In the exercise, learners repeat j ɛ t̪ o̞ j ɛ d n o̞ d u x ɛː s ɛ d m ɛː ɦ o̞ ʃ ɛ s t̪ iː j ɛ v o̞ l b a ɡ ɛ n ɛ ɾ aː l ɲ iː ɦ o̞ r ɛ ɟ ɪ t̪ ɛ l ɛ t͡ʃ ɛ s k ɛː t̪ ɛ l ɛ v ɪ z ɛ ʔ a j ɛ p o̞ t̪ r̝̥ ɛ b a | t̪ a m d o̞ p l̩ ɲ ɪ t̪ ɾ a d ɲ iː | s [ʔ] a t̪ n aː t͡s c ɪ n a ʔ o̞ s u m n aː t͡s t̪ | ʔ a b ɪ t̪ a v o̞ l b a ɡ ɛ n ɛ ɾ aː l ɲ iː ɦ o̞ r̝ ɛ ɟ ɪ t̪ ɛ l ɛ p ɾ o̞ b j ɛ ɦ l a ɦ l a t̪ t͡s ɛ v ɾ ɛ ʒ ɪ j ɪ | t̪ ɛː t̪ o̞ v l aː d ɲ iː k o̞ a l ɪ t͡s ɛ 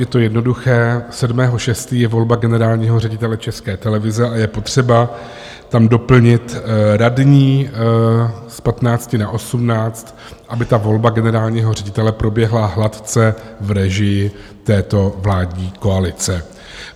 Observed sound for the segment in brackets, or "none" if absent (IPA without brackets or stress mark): p